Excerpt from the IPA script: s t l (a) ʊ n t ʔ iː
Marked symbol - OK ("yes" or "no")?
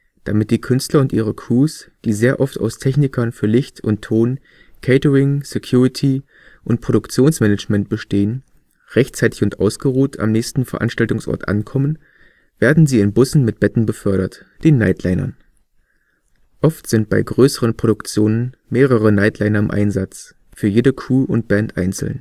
no